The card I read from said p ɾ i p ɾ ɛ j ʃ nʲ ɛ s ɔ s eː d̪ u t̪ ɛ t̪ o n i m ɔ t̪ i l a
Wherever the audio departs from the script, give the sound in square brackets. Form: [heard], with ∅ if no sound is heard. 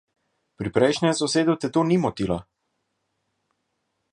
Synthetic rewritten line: p ɾ i p ɾ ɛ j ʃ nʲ ɛ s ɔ s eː d̪ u t̪ ɛ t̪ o n i m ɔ t̪ i l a